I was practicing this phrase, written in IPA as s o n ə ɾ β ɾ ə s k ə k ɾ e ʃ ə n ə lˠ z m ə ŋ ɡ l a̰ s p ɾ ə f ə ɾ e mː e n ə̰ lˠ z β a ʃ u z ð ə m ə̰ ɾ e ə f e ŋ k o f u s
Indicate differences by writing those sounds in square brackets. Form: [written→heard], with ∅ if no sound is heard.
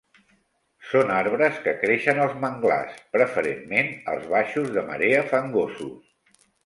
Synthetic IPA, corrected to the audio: s o n [ə→a] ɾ β ɾ ə s k ə k ɾ e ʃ ə n ə lˠ z m ə ŋ ɡ l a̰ s p ɾ ə f ə ɾ e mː e n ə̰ lˠ z β a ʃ u z ð ə m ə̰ ɾ e ə f [e→a] ŋ [k→ɡ] o [f→s] u s